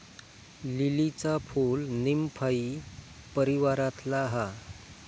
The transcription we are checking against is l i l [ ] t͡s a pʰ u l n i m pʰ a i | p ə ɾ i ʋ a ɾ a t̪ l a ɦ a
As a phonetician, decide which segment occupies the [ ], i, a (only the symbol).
i